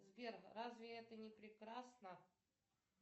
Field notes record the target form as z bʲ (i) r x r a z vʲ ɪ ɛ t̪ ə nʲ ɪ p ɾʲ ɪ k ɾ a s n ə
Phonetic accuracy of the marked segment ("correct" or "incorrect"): incorrect